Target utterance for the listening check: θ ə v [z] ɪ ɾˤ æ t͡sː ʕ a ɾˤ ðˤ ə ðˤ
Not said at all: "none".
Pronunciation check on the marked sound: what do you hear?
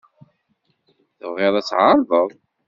ʁ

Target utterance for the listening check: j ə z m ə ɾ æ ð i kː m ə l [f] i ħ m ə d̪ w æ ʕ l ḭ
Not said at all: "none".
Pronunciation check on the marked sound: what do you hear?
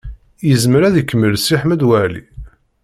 s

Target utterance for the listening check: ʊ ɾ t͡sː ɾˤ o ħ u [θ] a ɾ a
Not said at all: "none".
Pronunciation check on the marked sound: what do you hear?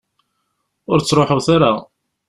θ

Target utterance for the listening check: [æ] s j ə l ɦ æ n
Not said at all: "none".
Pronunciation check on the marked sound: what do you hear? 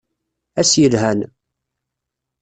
æ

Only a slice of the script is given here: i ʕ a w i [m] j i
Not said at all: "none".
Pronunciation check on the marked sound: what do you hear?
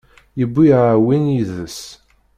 n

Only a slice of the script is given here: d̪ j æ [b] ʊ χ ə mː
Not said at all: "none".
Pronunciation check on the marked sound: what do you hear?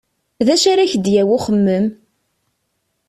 w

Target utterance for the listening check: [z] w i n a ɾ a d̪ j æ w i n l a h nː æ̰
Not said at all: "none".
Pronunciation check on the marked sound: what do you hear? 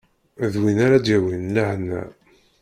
ð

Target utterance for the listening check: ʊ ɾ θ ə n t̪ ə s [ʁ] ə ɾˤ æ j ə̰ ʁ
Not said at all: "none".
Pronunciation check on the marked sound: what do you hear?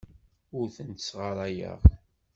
ʁ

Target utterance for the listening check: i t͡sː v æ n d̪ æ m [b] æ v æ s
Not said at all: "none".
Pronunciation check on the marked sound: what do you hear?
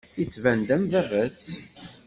v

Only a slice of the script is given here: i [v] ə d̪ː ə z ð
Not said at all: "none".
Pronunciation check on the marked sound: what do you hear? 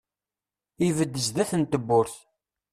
v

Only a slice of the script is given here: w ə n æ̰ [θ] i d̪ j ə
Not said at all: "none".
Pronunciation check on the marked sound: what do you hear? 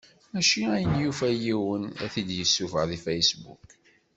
θ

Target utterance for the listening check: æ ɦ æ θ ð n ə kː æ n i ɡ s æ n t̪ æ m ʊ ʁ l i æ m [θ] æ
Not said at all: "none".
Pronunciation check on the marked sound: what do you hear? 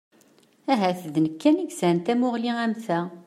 θ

